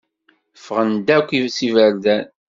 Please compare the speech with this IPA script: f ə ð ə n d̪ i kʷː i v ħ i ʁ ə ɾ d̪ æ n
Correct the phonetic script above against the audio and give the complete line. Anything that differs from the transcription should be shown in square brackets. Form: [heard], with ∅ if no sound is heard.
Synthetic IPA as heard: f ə [ʁ] ə n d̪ [æ] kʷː i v [s] i [v] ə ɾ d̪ æ n